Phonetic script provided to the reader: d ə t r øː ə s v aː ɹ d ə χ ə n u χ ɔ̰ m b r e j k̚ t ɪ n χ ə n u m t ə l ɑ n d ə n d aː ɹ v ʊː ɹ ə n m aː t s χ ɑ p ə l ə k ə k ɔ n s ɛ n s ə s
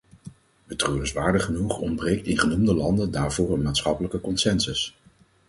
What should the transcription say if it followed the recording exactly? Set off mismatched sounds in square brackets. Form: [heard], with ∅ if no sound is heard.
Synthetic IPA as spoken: [b] ə t r øː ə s [ʋ] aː ɹ d ə χ ə n u χ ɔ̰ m b r e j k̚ t ɪ n χ ə n u m [d] ə l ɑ n d ə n d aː ɹ v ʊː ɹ ə n m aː t s χ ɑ p ə l ə k ə k ɔ n s ɛ n s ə s